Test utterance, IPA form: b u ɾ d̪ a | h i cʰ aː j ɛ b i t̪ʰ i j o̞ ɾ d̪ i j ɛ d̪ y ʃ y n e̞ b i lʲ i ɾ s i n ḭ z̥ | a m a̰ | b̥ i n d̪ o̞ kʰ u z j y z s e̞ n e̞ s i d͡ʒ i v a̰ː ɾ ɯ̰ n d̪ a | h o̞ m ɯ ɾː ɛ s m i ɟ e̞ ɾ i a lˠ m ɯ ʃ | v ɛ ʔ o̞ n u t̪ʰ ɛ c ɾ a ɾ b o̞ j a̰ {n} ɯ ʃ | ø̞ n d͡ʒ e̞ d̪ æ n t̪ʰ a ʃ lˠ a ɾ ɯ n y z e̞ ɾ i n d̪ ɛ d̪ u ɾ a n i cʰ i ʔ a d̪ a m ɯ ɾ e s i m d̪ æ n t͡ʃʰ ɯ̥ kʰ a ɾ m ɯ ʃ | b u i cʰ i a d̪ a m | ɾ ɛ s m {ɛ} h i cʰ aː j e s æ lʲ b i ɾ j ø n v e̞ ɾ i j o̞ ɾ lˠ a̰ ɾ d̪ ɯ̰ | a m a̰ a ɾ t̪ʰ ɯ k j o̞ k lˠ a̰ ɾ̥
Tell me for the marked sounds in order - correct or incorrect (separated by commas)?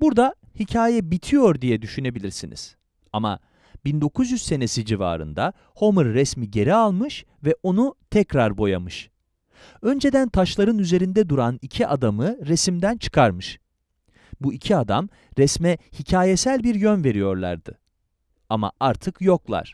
incorrect, correct